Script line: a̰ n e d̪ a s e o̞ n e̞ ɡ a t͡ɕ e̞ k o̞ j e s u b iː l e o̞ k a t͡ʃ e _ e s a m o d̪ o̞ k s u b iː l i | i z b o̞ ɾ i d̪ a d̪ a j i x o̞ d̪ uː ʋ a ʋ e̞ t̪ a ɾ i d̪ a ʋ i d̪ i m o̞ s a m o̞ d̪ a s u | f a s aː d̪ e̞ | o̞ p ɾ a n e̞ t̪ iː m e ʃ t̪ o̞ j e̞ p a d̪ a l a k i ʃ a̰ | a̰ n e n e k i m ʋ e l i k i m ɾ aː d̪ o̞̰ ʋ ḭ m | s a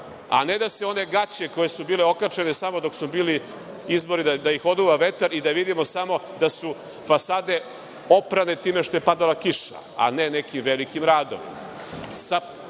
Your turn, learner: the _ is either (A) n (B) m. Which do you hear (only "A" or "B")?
A